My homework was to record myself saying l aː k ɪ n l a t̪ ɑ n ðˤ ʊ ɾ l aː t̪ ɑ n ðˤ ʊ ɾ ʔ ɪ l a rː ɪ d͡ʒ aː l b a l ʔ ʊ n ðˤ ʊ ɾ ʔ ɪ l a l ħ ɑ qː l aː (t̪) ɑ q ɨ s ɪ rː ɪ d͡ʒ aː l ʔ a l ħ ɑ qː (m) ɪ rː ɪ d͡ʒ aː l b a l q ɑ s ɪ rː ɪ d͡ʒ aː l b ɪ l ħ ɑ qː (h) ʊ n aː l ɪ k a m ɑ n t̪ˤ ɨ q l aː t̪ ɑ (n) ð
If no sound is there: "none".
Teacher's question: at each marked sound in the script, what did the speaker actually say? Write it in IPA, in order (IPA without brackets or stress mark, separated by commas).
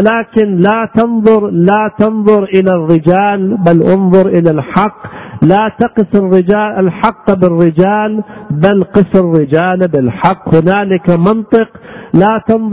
t̪, b, h, n